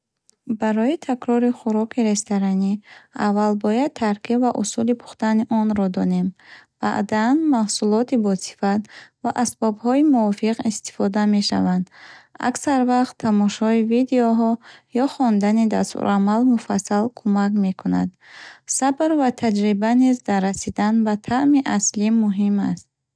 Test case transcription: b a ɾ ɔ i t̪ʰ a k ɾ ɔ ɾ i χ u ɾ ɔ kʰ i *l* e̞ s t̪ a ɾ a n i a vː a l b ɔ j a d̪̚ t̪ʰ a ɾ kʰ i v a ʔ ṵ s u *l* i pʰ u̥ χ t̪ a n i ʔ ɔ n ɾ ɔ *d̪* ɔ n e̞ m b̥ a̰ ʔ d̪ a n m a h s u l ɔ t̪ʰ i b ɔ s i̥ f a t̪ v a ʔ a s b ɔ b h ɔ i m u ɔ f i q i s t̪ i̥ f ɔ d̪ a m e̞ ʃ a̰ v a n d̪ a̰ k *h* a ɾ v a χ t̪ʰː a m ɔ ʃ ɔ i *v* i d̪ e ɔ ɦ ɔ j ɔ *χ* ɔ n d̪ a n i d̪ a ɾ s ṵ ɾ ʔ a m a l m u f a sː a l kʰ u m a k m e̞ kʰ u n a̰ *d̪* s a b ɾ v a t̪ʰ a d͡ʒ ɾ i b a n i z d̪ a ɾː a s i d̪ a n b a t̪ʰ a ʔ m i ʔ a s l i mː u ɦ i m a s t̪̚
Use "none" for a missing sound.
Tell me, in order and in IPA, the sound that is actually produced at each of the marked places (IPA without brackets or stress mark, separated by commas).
ɾ, l, d̪, s, v, χ, d̪